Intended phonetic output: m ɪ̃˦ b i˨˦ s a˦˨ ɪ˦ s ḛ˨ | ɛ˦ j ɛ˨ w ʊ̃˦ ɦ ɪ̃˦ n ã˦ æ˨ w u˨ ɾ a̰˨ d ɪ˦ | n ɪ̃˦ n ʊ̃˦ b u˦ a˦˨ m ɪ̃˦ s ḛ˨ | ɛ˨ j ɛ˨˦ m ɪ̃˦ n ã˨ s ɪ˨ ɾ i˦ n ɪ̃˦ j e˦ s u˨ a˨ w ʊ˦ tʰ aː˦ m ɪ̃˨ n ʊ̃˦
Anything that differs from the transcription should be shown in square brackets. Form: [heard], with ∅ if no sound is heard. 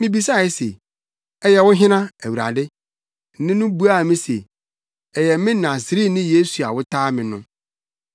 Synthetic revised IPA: m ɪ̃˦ b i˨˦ s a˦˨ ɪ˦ s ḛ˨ | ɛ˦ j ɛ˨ w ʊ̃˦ ɦ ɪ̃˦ n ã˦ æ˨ w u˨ ɾ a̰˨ d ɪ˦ | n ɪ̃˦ n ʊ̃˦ b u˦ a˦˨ m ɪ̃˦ s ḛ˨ | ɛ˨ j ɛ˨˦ m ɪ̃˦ n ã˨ s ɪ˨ ɾ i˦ n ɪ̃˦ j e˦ s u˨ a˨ w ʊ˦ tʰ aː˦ m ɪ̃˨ n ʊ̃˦